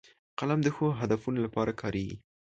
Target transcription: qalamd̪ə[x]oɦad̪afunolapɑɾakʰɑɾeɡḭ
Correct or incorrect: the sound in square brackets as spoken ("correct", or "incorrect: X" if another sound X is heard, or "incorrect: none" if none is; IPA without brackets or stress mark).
correct